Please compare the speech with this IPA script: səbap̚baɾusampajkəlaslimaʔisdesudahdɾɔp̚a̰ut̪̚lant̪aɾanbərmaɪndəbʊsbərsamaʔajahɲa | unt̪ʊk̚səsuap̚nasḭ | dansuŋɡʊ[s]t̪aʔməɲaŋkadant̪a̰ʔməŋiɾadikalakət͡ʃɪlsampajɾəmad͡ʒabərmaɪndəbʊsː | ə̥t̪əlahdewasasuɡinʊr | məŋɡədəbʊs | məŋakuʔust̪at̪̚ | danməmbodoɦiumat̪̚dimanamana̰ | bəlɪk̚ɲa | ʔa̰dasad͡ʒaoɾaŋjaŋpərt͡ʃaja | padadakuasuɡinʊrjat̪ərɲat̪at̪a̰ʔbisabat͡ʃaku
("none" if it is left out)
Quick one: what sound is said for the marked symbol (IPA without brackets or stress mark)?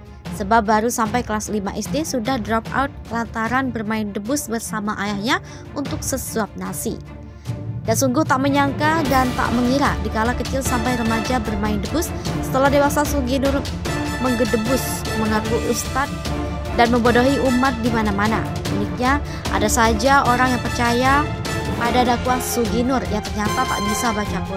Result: h